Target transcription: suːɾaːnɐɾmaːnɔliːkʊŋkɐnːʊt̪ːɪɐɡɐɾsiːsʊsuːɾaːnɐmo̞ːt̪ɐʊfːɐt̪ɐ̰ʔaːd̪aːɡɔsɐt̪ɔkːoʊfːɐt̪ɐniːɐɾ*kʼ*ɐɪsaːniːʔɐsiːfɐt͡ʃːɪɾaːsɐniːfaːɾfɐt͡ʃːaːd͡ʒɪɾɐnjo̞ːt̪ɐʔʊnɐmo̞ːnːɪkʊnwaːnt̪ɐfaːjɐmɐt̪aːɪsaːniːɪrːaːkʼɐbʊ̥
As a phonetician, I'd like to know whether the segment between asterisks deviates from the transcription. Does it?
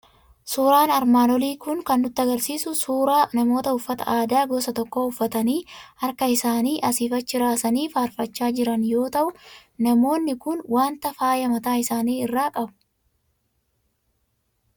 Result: yes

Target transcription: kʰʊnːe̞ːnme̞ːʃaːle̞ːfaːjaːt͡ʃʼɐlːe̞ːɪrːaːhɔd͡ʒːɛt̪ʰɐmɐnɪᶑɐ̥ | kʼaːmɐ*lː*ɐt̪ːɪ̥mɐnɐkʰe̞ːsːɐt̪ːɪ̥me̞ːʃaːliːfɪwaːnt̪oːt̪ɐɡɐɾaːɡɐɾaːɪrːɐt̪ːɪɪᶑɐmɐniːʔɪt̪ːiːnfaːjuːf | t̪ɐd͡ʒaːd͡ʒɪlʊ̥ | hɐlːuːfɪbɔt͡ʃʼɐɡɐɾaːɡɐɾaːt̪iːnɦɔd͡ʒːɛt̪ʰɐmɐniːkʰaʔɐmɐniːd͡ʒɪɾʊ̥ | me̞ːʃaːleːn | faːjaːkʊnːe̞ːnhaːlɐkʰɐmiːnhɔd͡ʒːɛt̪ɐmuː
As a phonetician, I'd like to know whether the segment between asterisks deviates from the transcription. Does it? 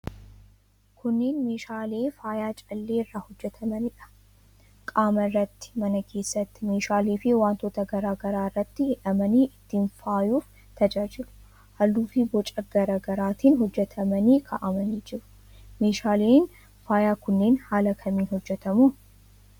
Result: yes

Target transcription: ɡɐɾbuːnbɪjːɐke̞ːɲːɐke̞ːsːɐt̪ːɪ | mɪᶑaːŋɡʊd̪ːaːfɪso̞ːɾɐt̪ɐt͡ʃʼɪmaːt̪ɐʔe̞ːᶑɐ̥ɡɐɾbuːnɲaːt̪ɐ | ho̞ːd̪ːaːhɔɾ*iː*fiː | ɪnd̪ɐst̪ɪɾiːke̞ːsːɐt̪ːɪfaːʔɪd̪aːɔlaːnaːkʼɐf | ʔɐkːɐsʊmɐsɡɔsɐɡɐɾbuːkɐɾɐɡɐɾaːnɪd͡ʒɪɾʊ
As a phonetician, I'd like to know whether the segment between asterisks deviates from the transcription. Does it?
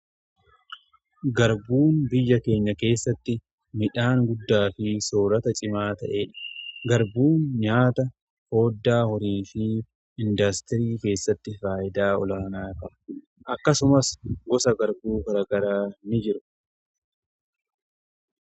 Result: no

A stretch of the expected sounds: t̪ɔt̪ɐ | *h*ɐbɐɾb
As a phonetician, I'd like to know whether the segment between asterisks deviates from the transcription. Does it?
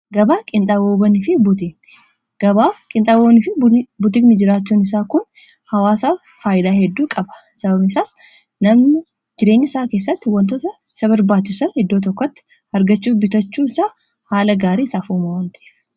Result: yes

